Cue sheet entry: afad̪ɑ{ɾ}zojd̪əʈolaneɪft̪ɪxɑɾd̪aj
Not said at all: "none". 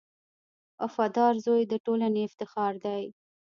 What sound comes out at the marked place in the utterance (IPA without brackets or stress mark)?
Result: ɾ